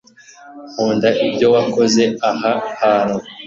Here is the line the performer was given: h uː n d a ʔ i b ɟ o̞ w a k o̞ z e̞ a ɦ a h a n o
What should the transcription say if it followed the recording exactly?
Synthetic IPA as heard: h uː n d a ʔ i b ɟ o̞ w a k o̞ z e̞ a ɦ a h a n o